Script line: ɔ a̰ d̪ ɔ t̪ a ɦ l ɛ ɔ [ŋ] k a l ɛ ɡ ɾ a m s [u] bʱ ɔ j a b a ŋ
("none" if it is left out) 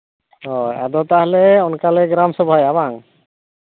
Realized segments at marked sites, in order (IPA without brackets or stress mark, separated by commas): n, ɔ